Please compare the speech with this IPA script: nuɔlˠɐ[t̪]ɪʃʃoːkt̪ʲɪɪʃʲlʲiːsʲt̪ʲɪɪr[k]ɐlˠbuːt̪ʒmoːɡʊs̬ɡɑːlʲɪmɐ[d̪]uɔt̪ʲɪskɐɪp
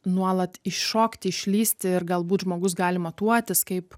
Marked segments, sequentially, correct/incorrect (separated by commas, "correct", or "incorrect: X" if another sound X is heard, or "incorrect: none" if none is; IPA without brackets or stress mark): correct, incorrect: ɡ, incorrect: t̪